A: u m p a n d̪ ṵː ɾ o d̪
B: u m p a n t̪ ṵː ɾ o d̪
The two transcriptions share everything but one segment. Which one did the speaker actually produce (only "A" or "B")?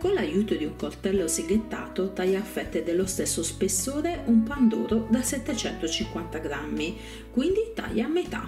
A